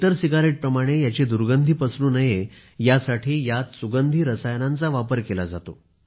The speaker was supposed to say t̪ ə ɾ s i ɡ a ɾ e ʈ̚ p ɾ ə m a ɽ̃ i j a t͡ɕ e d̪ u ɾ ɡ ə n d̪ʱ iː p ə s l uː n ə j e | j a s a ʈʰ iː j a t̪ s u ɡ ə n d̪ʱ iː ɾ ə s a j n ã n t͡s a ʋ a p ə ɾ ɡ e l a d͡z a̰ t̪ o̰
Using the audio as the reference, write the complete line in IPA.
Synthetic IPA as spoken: t̪ ə ɾ s i ɡ a ɾ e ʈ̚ p ɾ ə m a ɽ̃ e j a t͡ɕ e d̪ u ɾ ɡ ə n d̪ʱ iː p ə s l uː n ə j e | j a s a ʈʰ iː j a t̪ s u ɡ ə n d̪ʱ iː ɾ ə s a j n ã n t͡s a ʋ a p ə ɾ k e l a d͡z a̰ t̪ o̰